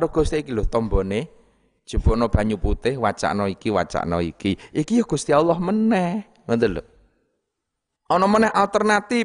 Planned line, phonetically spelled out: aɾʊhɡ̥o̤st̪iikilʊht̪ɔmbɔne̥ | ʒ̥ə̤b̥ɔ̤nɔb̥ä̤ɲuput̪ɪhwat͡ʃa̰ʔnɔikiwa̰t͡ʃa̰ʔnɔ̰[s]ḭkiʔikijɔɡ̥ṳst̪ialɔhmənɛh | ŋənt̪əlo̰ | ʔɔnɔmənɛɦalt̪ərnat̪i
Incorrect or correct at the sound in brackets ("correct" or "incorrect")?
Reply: incorrect